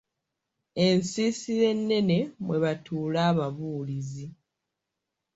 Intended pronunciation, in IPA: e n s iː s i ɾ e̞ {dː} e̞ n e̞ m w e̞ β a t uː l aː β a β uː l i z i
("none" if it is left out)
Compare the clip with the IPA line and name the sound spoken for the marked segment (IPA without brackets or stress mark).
nː